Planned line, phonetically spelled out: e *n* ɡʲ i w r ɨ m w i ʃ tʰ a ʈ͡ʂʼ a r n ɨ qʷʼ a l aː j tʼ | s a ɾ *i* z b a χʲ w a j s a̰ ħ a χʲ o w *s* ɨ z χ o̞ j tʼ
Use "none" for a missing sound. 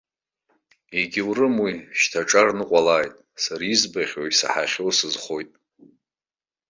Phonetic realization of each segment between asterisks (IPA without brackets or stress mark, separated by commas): none, i, s